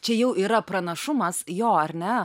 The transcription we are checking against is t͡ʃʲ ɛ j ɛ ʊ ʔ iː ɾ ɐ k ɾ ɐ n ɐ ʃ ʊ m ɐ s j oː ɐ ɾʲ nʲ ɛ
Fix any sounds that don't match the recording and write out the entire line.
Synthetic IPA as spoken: t͡ʃʲ ɛ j ɛ ʊ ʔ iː ɾ ɐ p ɾ ɐ n ɐ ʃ ʊ m ɐ s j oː ɐ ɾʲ nʲ ɛ